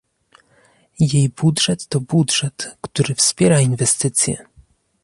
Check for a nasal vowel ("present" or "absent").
absent